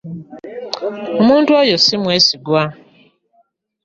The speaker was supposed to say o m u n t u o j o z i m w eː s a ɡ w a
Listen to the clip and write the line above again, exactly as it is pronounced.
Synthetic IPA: o m uː n t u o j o s i m w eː s i ɡ w a

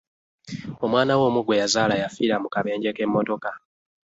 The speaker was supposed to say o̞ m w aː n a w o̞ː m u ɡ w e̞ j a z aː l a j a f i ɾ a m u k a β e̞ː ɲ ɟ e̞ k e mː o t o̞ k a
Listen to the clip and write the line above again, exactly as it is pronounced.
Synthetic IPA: o̞ m w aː n a w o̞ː m u ɡ w e̞ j a z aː l a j a f i ɾ a m u k a β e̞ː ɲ ɟ e̞ k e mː o t o̞ k a

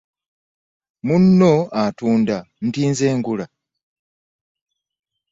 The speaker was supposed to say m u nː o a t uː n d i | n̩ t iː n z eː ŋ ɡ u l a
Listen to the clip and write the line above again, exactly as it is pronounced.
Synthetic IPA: m u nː o a t uː n d a | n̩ t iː n z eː ŋ ɡ u l a

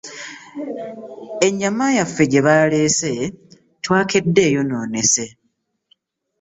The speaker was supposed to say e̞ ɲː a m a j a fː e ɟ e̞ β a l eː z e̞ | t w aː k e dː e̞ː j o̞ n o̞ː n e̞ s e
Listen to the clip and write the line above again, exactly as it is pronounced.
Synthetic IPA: e̞ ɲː a m a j a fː e ɟ e̞ β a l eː s e̞ | t w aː k e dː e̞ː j o̞ n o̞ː n e̞ s e

